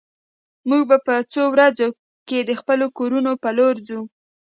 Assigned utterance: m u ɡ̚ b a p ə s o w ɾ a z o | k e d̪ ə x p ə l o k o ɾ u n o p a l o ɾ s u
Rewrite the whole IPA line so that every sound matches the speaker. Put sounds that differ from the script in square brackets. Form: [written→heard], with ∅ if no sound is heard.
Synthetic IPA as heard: m u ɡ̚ b a p ə [s→t͡s] o w ɾ a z o | k e d̪ ə x p ə l o k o ɾ u n o p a l o ɾ [s→z] u